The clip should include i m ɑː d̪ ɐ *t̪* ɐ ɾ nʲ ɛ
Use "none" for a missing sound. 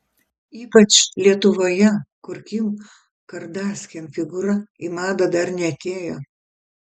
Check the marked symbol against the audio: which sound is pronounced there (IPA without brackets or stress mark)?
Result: d̪